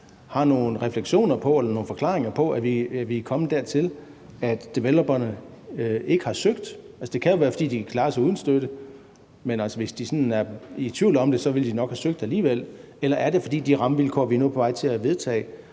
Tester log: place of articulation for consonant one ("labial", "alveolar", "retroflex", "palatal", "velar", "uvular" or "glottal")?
glottal